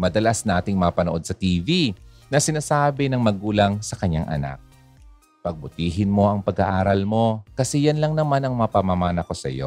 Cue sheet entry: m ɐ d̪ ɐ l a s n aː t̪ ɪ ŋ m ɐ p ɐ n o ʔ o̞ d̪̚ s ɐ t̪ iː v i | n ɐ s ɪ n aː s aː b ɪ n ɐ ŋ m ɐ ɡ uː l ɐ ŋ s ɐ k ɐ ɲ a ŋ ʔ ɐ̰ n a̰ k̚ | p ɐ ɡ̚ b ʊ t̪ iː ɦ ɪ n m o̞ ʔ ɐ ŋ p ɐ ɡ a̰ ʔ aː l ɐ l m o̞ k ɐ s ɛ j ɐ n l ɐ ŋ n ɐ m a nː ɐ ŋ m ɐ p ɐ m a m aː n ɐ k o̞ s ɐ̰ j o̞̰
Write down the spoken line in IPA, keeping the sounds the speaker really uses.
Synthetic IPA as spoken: m ɐ d̪ ɐ l a s n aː t̪ ɪ ŋ m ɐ p ɐ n o ʔ o̞ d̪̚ s ɐ t̪ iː v i | n ɐ s ɪ n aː s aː b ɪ n ɐ ŋ m ɐ ɡ uː l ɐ ŋ s ɐ k ɐ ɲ a ŋ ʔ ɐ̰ n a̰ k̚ | p ɐ ɡ̚ b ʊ t̪ iː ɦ ɪ n m o̞ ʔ ɐ ŋ p ɐ ɡ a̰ ʔ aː ɾ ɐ l m o̞ k ɐ s ɛ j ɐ n l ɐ ŋ n ɐ m a n ɐ ŋ m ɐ p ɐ m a m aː n ɐ k o̞ s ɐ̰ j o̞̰